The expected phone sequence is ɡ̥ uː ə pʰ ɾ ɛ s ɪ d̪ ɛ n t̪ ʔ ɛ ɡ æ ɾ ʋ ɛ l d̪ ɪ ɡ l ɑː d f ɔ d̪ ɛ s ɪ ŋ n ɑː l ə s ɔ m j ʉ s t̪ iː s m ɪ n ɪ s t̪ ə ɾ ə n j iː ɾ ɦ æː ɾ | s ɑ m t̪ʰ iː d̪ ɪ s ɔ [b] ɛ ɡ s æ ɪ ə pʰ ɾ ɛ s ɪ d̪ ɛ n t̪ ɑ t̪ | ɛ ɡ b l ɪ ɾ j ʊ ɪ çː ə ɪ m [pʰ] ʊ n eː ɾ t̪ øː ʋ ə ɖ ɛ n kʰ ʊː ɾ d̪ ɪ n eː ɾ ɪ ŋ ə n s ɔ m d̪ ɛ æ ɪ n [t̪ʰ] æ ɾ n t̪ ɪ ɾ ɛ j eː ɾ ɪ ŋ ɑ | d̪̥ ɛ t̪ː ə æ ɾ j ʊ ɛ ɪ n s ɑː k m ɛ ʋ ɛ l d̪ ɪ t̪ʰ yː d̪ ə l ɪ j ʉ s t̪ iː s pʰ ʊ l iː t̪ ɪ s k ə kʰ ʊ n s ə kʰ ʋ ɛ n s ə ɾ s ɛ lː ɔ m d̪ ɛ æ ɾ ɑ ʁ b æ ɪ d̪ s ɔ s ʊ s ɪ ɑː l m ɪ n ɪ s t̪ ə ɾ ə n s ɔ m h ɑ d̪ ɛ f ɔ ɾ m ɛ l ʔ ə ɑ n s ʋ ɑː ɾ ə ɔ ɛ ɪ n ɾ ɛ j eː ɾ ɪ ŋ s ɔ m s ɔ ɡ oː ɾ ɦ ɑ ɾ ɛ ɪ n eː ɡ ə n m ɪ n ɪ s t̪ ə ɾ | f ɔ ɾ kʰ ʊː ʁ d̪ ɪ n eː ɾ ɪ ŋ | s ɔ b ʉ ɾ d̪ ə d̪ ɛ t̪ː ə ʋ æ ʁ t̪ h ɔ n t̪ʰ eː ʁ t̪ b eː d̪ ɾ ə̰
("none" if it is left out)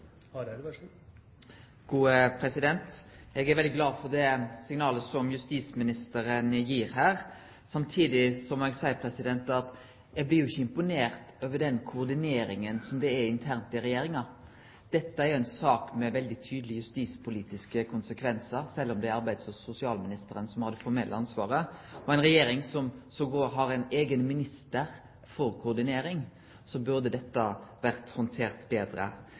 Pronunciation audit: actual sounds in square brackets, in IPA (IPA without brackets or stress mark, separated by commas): m, p, t̪ʰ